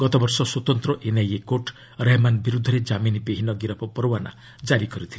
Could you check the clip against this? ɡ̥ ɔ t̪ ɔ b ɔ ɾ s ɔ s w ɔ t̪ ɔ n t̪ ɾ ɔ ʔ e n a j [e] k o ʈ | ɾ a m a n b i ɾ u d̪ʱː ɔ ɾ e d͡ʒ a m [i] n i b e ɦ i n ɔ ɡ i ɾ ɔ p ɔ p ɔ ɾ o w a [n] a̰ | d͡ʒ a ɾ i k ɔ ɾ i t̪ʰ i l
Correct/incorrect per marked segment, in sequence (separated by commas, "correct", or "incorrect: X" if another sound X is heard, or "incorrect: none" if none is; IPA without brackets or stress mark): correct, correct, correct